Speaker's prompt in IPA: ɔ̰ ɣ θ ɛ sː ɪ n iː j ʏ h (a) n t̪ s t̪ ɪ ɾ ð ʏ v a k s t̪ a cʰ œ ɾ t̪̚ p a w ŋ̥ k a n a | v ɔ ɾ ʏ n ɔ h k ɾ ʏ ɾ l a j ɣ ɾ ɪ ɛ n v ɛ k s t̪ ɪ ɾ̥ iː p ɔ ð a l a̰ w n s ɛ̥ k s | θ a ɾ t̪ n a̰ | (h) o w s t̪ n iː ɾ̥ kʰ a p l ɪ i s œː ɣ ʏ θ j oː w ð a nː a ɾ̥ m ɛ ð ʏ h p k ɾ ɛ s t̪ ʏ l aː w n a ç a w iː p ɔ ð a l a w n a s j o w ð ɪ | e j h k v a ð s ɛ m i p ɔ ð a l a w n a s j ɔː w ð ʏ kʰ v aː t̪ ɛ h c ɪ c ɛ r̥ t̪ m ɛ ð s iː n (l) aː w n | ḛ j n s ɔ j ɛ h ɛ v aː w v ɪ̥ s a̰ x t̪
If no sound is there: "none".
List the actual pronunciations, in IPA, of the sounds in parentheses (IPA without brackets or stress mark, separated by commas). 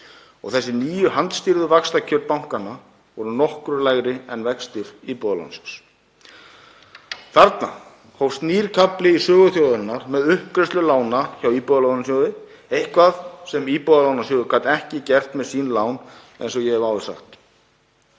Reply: a, h, l